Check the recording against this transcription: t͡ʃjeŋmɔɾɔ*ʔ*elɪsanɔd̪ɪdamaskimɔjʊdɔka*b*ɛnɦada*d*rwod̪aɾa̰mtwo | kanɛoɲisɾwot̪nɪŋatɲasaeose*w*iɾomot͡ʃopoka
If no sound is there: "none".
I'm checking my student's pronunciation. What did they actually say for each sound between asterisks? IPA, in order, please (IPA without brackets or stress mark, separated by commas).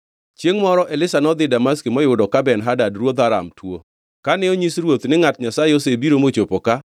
ʔ, b, d, b